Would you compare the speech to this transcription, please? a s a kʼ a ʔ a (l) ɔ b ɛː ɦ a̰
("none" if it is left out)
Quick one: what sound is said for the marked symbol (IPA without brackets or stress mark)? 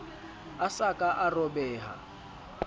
r